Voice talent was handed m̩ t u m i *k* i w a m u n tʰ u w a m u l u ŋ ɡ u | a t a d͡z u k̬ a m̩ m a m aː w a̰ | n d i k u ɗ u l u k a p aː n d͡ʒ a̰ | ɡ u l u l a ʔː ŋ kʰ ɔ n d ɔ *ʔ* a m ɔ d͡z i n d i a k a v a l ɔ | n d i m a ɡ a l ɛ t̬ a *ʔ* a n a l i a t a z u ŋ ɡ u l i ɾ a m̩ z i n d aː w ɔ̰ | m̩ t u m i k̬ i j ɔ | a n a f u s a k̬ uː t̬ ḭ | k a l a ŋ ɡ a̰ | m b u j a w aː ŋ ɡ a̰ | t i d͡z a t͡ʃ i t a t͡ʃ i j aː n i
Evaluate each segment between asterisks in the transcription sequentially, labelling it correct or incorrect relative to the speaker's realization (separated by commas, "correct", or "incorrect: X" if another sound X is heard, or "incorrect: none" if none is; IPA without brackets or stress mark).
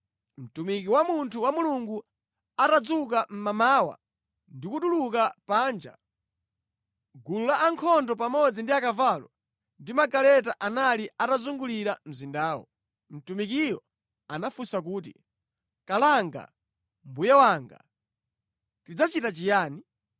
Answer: correct, incorrect: p, correct